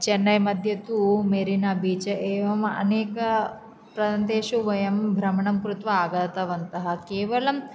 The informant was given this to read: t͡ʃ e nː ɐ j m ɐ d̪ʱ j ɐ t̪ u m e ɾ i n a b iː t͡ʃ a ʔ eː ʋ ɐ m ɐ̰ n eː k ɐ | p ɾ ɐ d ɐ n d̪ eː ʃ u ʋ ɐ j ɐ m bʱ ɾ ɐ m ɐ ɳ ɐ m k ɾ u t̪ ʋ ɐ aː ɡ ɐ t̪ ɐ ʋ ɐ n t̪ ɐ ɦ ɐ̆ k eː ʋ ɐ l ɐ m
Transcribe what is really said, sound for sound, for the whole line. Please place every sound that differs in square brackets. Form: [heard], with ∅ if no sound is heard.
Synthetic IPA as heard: t͡ʃ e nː ɐ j m ɐ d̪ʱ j ɐ t̪ u m e ɾ i n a b iː t͡ʃ [ɐ] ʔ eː ʋ ɐ m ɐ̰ n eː k ɐ | p ɾ ɐ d ɐ n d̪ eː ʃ u ʋ ɐ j ɐ m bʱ ɾ ɐ m ɐ ɳ ɐ m k ɾ u t̪ ʋ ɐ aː ɡ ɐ t̪ ɐ ʋ ɐ n t̪ ɐ ɦ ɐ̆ k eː ʋ ɐ l ɐ m